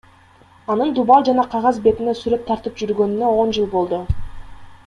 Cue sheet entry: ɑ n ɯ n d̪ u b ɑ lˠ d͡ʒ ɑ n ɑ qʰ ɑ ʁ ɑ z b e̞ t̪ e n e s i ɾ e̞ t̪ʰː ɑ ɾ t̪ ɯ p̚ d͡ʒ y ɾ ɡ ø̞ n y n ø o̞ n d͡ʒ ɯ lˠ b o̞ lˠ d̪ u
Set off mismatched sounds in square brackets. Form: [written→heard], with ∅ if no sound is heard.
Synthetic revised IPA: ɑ n ɯ n d̪ u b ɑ lˠ d͡ʒ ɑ n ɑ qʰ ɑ ʁ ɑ z b e̞ t̪ [e→i] n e s [i→y] ɾ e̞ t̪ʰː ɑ ɾ t̪ ɯ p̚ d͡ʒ y ɾ ɡ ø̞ n y n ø o̞ n d͡ʒ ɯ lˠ b o̞ lˠ d̪ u